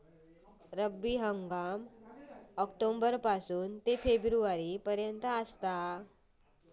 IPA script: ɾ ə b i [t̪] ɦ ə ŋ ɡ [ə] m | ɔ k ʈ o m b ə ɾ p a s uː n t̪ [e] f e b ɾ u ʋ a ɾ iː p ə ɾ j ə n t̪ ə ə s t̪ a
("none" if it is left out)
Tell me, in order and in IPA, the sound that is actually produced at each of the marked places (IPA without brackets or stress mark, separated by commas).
none, a, e